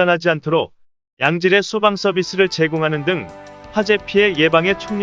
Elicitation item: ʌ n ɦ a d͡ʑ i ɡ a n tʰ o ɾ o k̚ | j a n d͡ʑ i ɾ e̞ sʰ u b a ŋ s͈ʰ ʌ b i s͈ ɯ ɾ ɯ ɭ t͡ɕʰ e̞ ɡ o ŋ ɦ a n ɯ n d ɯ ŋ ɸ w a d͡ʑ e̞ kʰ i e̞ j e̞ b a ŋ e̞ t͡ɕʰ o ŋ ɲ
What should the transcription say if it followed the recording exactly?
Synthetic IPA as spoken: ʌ n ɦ a d͡ʑ i a n tʰ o ɾ o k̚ | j a ŋ d͡ʑ i ɾ e̞ sʰ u b a ŋ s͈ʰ ʌ b i s͈ ɯ ɾ ɯ ɭ t͡ɕ e̞ ɡ o ŋ ɦ a n ɯ n d ɯ ŋ ɸ w a d͡ʑ e̞ pʰ i e̞ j e̞ b a ŋ e̞ t͡ɕʰ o ŋ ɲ